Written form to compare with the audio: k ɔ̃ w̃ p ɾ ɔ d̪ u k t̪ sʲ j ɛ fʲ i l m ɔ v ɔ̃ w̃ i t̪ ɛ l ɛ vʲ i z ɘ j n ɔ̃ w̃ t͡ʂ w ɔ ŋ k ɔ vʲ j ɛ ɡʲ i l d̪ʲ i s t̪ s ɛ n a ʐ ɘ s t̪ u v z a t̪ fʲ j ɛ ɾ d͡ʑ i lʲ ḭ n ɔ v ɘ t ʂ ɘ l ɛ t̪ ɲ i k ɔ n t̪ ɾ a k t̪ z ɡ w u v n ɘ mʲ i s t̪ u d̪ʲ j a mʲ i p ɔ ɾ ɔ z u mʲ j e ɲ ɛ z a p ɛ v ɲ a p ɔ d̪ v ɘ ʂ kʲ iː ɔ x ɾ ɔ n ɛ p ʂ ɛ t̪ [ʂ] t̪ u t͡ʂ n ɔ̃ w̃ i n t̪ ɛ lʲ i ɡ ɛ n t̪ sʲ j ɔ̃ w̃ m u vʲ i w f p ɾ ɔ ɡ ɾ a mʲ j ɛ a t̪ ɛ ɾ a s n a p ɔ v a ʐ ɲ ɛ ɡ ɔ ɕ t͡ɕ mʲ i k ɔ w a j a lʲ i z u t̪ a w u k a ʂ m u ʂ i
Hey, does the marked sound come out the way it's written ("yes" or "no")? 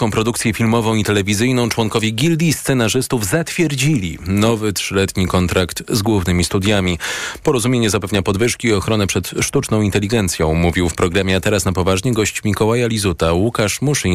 yes